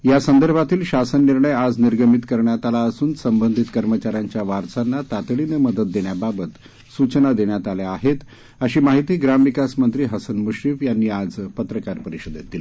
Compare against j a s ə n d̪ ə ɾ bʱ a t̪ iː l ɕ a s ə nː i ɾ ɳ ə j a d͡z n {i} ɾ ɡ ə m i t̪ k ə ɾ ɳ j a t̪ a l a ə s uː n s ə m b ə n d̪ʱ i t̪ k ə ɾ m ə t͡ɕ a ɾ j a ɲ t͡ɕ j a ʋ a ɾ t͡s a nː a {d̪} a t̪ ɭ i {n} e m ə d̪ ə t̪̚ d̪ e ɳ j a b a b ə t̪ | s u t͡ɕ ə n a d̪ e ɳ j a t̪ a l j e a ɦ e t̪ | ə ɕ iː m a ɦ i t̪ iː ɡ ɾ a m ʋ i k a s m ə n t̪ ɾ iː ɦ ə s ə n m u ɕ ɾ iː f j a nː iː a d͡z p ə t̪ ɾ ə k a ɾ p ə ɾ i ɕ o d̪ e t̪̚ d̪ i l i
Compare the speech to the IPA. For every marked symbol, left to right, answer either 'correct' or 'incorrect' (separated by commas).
correct, incorrect, correct